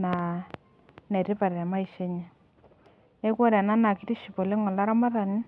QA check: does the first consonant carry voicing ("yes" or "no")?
yes